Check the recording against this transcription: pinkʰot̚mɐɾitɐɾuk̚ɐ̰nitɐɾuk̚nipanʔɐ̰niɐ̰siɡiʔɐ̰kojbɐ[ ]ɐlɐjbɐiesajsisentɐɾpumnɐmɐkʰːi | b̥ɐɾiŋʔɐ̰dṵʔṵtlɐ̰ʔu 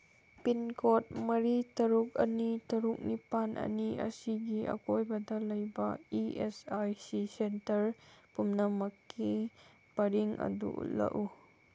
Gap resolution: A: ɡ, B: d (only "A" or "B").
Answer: B